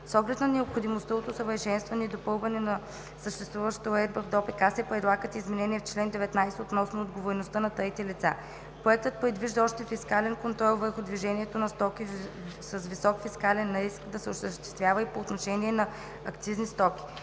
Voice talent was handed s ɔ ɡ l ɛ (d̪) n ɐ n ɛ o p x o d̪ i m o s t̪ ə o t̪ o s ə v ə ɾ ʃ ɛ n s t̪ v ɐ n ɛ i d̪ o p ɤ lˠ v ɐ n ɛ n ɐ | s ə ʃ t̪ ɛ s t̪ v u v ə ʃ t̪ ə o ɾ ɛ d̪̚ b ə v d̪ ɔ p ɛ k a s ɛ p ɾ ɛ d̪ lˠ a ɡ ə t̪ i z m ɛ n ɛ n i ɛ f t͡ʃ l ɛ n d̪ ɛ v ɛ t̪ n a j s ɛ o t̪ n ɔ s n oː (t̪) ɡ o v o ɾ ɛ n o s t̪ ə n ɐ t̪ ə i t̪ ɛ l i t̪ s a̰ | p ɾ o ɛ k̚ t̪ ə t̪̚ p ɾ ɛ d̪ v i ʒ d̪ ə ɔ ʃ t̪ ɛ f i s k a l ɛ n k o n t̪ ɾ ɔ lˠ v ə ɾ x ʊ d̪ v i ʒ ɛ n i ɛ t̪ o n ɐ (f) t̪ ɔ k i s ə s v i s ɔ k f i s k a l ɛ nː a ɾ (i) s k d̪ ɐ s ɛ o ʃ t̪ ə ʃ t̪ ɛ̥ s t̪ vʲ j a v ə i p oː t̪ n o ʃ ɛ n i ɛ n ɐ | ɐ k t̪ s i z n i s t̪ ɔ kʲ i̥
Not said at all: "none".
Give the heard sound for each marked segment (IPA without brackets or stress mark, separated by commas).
t̪, d̪, s, i